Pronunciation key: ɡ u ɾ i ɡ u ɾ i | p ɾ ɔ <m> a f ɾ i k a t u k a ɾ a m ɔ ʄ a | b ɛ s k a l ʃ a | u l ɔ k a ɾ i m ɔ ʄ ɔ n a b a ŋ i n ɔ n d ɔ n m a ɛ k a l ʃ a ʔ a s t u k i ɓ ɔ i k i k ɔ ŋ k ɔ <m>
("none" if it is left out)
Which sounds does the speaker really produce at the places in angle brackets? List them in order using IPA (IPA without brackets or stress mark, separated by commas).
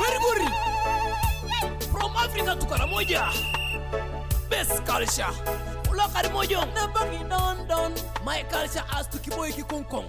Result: m, ŋ